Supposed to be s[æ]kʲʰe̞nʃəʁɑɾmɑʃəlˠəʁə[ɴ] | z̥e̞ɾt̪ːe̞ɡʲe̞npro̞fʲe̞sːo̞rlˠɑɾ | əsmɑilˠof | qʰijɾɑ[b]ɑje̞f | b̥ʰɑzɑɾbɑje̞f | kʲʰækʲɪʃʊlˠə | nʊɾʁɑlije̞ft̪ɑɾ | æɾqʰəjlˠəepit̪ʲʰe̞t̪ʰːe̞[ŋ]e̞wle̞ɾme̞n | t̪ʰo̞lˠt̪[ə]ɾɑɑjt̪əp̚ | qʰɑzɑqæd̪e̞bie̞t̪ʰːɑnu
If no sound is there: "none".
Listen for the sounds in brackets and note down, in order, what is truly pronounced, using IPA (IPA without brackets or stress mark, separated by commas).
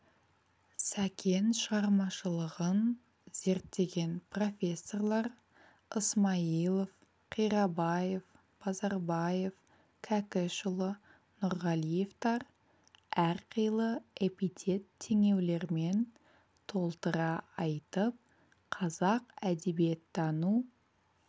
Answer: æ, n, b, ŋ, ə